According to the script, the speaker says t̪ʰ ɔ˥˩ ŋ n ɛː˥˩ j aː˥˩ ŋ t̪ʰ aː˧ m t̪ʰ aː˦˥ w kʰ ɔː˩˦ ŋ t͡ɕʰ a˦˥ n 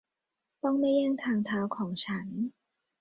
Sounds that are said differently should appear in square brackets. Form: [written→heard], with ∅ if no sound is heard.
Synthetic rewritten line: [t̪ʰ→t̪] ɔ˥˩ ŋ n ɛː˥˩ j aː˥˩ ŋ t̪ʰ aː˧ [m→ŋ] t̪ʰ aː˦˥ w kʰ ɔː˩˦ ŋ t͡ɕʰ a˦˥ n